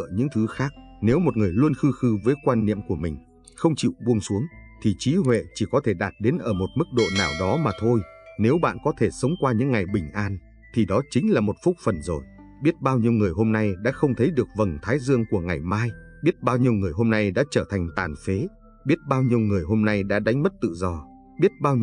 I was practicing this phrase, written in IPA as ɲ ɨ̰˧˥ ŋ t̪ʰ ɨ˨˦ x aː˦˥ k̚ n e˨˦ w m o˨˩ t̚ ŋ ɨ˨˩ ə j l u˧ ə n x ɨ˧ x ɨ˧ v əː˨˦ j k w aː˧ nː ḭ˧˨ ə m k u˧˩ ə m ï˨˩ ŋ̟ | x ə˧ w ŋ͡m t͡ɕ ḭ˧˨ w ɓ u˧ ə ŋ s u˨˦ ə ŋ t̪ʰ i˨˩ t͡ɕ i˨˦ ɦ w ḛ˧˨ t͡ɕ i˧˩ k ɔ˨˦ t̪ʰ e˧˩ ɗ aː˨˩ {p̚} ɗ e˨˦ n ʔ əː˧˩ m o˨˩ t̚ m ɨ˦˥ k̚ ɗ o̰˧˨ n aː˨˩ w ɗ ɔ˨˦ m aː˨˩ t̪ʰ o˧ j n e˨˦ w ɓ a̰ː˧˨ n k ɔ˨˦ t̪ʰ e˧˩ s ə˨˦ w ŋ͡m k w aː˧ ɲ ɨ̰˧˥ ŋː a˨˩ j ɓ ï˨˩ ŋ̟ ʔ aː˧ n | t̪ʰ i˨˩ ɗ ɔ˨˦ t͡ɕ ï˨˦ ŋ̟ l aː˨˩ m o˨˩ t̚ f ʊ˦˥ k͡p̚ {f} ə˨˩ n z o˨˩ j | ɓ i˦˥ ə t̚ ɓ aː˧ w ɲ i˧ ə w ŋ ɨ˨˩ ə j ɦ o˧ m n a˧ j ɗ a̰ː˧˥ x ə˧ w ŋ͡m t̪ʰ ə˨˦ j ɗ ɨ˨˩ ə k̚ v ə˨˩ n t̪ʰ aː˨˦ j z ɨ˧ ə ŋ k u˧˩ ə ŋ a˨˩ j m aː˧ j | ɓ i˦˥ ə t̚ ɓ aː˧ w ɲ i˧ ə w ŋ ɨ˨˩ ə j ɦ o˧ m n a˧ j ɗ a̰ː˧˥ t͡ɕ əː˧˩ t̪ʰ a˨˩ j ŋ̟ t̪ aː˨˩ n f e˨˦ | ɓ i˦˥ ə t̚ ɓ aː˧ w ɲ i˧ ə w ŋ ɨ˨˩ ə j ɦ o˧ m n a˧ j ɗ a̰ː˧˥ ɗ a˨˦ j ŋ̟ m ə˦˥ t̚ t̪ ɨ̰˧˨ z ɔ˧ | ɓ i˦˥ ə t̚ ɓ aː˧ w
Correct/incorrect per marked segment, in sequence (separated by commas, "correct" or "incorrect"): incorrect, correct